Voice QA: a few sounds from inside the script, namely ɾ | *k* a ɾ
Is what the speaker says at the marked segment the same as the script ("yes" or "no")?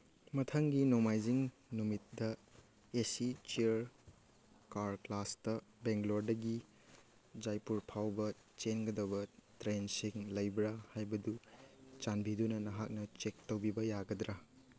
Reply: yes